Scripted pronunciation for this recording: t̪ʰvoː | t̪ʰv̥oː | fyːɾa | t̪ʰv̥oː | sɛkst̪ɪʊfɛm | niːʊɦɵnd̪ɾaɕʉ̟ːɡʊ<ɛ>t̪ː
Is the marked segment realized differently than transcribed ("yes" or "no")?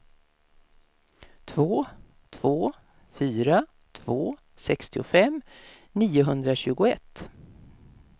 no